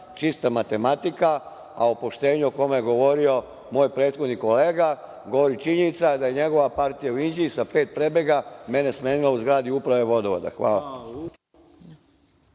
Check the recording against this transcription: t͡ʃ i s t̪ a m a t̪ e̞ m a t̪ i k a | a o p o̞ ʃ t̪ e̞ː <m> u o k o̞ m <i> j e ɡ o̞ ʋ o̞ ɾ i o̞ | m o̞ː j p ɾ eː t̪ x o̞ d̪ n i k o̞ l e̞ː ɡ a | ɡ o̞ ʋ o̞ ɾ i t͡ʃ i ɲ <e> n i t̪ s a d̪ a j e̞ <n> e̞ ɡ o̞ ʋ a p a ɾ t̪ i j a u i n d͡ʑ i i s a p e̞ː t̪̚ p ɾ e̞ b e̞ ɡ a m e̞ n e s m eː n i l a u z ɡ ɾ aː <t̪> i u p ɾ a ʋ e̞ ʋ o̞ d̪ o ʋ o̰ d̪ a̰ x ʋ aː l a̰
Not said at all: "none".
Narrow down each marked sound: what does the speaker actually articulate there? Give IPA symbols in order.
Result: ɲ, e, e, ɲ, d̪

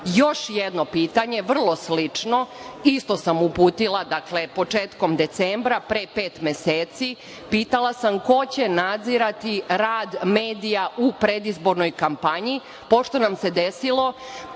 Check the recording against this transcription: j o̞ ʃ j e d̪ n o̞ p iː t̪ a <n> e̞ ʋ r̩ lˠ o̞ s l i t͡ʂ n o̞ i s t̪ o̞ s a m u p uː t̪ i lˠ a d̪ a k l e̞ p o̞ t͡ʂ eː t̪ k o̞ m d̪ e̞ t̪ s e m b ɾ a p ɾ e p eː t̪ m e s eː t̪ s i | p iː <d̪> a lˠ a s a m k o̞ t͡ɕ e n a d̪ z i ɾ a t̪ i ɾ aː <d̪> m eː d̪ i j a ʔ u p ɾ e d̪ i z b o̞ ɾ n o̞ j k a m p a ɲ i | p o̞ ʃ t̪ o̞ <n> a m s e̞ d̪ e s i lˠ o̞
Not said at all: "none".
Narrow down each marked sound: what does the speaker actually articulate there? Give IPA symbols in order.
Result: ɲ, t̪, d̪, n

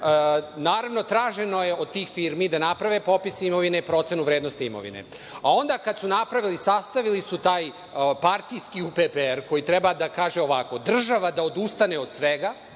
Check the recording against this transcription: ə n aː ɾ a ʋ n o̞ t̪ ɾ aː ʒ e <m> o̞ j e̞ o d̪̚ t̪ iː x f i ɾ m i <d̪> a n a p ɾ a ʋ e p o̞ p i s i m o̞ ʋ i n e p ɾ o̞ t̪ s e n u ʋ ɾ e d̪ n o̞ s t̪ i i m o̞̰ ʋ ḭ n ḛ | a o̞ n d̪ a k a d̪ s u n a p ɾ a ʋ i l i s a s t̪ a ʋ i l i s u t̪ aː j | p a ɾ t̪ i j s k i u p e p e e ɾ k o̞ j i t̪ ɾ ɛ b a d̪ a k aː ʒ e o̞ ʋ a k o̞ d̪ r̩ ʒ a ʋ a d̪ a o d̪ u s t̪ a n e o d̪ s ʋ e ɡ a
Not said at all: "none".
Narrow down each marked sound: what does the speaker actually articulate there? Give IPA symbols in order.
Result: n, d̪

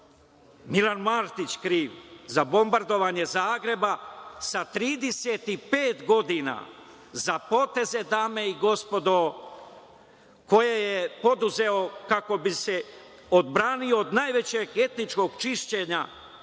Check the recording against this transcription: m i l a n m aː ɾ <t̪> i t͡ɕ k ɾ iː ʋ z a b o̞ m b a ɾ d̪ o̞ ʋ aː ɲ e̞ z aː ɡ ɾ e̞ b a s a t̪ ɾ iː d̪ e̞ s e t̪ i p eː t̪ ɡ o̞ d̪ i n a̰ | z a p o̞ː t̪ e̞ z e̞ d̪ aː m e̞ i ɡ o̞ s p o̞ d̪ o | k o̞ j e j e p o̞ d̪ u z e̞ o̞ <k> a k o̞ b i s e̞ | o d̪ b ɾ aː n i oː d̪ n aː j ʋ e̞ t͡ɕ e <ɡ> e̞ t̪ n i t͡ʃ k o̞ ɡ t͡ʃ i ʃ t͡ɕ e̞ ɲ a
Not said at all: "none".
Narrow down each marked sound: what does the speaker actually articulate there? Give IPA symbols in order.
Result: t̪, k, ɡ

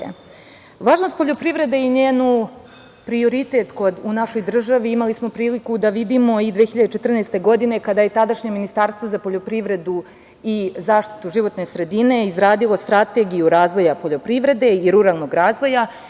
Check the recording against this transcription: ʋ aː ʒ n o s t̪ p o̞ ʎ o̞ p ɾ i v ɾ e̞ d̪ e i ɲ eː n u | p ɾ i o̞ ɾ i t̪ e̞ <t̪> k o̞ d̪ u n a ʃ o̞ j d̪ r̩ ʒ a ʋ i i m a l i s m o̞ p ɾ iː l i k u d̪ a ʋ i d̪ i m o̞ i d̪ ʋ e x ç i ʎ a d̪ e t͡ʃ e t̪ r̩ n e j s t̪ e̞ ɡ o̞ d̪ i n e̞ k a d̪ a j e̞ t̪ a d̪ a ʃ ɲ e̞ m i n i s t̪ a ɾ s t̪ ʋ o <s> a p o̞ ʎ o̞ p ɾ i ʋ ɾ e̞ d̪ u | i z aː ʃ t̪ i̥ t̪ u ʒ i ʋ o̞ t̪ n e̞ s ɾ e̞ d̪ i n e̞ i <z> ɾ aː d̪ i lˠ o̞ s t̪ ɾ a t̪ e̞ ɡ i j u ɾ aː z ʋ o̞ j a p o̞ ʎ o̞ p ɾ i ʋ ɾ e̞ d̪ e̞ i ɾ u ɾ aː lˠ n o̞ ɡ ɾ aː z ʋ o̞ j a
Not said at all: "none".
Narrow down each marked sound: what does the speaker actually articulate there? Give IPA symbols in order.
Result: t̪, z, z

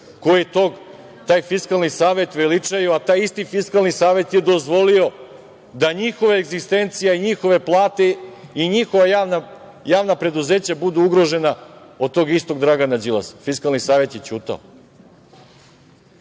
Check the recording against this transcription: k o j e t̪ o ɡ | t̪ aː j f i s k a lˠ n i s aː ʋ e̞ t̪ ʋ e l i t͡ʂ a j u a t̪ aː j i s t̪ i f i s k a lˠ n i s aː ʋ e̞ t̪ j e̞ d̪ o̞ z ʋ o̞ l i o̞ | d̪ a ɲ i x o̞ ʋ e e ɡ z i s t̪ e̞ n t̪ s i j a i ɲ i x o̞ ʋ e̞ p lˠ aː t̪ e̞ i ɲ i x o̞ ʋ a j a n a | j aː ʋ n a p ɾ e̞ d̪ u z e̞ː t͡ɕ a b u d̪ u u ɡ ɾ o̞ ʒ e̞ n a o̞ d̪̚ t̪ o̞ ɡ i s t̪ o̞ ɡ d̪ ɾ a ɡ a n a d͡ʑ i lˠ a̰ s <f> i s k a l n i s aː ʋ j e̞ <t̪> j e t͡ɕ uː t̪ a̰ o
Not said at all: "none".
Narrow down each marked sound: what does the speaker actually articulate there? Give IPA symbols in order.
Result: f, t̪

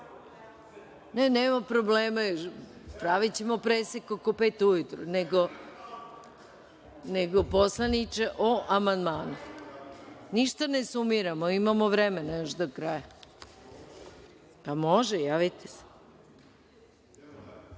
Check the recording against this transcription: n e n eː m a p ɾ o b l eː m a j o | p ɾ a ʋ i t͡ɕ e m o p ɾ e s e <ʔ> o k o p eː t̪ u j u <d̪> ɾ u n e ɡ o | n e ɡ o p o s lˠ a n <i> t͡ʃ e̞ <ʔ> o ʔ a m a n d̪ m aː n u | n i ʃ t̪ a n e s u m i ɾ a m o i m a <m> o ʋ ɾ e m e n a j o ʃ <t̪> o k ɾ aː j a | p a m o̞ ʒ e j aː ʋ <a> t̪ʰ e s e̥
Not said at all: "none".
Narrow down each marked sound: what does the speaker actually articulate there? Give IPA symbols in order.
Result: k, t̪, i, ʔ, m, d̪, i

